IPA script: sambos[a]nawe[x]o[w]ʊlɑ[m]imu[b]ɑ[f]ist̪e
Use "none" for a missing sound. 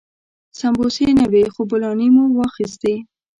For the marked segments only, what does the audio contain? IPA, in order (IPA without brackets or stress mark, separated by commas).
e, x, b, n, w, x